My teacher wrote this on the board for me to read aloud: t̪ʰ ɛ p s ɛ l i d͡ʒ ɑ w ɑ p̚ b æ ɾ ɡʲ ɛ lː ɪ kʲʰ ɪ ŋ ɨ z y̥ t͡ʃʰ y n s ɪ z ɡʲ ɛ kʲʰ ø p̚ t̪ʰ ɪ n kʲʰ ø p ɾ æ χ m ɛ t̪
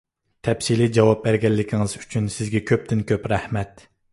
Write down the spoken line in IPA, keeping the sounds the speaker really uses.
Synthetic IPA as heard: t̪ʰ ɛ p s i l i d͡ʒ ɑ w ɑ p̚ b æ ɾ ɡʲ ɛ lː ɪ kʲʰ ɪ ŋ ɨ z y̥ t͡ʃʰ y n s ɪ z ɡʲ ɛ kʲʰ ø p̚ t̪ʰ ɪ n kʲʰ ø p ɾ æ h m ɛ t̪